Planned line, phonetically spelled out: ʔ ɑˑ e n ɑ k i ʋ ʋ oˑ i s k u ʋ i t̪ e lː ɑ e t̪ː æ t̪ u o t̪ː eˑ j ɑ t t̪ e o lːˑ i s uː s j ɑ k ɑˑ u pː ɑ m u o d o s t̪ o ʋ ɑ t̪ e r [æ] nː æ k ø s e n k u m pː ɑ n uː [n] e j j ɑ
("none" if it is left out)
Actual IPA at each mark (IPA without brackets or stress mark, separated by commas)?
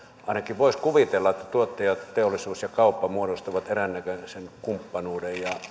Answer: æ, d